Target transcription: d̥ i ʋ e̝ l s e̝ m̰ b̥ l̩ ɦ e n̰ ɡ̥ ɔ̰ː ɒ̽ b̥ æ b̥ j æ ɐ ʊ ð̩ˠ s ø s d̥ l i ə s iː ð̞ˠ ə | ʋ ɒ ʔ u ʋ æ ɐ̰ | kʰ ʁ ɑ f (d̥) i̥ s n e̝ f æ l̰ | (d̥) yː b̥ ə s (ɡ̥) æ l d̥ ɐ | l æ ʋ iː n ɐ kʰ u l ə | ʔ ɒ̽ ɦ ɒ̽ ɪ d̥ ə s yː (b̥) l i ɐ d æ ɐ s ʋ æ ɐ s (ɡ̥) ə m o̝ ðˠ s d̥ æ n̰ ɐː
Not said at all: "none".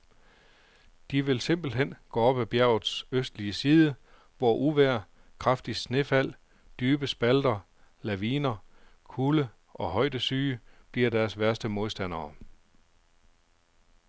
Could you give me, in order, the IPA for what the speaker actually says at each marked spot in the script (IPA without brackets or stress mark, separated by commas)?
d̥, d̥, b̥, b̥, d̥